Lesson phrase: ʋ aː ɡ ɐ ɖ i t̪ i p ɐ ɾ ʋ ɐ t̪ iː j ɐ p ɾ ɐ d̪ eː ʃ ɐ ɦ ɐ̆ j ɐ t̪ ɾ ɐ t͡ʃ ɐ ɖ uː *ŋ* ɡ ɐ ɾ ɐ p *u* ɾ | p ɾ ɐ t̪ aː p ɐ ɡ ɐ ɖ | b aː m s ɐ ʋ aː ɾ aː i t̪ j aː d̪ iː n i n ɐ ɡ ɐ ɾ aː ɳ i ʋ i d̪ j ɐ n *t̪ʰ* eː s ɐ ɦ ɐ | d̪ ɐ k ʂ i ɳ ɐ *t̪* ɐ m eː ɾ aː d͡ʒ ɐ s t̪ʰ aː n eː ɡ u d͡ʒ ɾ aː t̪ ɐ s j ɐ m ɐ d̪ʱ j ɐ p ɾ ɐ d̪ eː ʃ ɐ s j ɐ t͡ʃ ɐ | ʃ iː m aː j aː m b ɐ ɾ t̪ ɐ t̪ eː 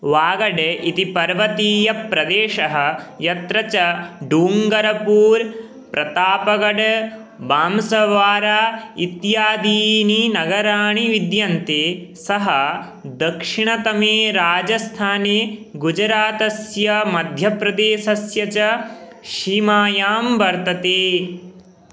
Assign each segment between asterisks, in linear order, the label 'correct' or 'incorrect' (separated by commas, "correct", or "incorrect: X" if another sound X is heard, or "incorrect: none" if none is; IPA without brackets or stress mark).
correct, incorrect: uː, incorrect: t̪, correct